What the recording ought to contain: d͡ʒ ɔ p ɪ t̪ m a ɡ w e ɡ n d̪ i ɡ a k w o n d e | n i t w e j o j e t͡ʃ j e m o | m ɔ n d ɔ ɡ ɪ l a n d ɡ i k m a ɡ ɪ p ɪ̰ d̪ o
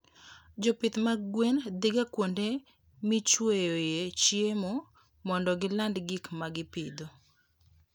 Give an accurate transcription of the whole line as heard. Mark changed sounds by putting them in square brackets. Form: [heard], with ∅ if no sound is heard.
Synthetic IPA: d͡ʒ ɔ p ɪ t̪ m a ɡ w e [∅] n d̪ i ɡ a k w o n d e | [m] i [t͡ʃ] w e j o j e t͡ʃ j e m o | m ɔ n d ɔ ɡ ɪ l a n d ɡ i k m a ɡ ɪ p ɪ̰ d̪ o